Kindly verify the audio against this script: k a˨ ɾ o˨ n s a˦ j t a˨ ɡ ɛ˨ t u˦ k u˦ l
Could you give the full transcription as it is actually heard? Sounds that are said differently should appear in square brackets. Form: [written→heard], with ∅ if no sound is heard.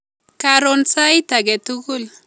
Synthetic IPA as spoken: k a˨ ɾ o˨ n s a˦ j t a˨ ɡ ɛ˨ t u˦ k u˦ l